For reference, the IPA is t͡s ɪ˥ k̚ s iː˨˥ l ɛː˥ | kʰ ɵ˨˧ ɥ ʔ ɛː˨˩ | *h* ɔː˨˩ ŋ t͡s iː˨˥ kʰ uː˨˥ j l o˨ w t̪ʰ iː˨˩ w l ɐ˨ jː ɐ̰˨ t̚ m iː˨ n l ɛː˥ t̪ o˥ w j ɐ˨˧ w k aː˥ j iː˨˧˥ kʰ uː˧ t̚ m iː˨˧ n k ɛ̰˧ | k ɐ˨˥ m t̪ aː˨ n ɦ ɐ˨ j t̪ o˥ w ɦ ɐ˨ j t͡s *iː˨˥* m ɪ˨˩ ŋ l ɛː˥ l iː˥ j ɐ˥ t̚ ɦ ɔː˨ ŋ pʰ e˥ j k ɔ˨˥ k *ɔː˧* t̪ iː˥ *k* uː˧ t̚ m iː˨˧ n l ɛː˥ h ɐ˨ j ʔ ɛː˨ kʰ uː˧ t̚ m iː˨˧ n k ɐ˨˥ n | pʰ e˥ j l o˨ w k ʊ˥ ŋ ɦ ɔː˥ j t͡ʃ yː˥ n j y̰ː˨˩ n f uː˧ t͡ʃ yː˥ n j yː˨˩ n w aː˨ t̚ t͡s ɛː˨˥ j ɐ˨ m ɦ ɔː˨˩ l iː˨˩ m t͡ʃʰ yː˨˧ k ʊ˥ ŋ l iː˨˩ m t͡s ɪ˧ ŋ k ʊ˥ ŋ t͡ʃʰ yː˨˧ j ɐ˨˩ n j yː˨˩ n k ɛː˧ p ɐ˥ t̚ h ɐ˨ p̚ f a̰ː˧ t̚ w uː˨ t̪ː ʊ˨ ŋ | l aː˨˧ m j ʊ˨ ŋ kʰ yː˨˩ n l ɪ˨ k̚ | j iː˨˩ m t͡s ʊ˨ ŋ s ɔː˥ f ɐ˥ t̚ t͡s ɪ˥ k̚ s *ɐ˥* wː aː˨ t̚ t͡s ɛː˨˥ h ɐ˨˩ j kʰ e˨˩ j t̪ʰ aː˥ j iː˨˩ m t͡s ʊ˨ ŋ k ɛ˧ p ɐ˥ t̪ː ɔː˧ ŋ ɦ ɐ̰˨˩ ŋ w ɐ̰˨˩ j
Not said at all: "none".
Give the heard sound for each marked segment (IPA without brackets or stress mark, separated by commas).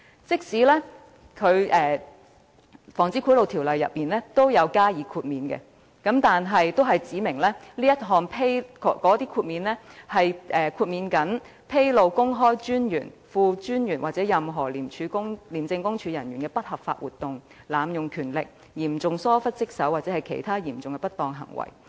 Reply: f, iː˨˥, ɔː˨˥, kʰ, ɐ˨˥